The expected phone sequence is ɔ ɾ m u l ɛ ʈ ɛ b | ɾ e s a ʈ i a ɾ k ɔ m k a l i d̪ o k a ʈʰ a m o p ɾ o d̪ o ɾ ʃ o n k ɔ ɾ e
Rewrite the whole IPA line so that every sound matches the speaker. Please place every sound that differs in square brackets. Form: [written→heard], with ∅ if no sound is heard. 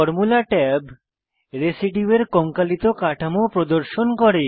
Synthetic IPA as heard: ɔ ɾ m u l [ɛ→a] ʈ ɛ b | ɾ e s [a→i] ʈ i [a→e] ɾ k ɔ [m→ŋ] k a l i [d̪→t̪] o k a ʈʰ a m o p ɾ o d̪ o ɾ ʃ o n k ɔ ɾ e